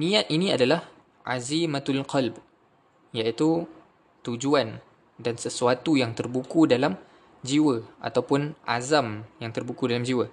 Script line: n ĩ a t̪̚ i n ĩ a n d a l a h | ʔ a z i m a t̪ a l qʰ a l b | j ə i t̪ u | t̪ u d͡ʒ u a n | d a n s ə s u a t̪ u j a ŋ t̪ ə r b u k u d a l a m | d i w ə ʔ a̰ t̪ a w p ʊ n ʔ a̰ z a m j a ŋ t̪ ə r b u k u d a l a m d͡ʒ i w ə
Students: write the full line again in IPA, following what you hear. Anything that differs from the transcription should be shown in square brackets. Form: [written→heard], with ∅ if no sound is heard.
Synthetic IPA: n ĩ a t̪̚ i n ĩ a [n→∅] d a l a h | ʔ a z i m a t̪ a l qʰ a l b | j [ə→a] i t̪ u | t̪ u d͡ʒ u a n | d a n s ə s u a t̪ u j a ŋ t̪ ə r b u k u d a l a m | [d→d͡ʒ] i w ə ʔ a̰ t̪ a w p ʊ n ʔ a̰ z a m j a ŋ t̪ ə r b u k u d a l a m d͡ʒ i w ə